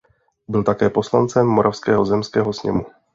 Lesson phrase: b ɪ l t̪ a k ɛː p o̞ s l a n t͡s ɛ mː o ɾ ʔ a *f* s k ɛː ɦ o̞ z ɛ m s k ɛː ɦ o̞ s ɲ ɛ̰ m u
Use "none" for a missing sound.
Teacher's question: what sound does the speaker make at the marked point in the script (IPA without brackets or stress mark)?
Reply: f